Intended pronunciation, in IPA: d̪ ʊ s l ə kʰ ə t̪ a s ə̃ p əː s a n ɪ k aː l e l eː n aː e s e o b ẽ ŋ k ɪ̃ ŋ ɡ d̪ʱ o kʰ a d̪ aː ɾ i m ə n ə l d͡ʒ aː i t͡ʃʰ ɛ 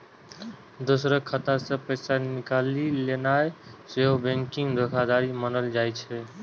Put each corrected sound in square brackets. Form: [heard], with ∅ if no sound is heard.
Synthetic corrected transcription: d̪ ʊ s [ɾ] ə kʰ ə t̪ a s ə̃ p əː s a n ɪ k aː l [i] l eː n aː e s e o b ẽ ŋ k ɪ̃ ŋ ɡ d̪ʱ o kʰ a d̪ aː ɾ i m ə n ə l d͡ʒ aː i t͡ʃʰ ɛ